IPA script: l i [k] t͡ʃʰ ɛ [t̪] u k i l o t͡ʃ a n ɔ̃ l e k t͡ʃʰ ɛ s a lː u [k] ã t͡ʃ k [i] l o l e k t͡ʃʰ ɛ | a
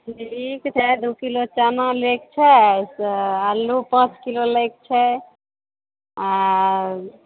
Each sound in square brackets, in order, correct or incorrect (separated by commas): correct, incorrect, incorrect, correct